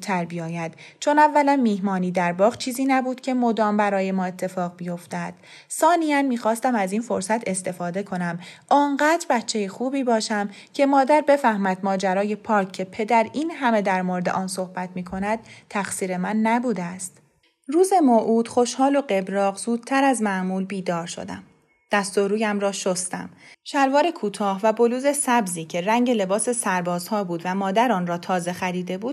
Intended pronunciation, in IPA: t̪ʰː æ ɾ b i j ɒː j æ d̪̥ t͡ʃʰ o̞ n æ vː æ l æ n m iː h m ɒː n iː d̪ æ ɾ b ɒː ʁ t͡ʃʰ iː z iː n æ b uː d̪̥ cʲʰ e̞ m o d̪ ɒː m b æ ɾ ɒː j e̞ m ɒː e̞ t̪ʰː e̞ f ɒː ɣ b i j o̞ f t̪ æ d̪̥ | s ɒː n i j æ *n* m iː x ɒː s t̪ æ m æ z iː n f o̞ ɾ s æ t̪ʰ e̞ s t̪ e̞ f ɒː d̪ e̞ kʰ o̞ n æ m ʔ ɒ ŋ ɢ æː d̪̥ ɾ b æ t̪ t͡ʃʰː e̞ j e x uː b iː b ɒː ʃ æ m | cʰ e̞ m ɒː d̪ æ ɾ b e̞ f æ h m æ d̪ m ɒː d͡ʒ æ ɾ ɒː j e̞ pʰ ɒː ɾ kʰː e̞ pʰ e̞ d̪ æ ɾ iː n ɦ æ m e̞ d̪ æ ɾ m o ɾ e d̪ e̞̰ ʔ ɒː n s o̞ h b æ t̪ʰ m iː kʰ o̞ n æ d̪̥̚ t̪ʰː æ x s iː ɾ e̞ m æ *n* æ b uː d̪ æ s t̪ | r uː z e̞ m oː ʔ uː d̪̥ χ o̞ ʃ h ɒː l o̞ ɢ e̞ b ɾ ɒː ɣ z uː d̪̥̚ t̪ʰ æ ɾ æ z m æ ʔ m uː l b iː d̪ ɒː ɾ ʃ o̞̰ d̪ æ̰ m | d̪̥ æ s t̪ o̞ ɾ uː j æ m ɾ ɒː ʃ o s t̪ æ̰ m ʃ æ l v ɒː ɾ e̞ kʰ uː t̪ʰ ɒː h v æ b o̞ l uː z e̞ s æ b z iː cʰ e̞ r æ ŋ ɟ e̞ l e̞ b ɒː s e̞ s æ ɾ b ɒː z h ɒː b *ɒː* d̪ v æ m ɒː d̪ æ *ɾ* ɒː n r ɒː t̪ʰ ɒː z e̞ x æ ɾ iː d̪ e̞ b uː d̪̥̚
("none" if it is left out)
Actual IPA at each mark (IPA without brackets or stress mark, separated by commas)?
n, nː, uː, ɾ